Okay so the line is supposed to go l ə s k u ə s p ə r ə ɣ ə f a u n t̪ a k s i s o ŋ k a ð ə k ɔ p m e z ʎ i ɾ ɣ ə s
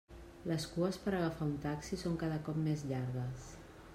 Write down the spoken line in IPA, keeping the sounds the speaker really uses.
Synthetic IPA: l ə s k u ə s p ə ɾ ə ɣ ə f a u n t̪ a k s i s o ŋ k a ð ə k ɔ p m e z ʎ a ɾ ɣ ə s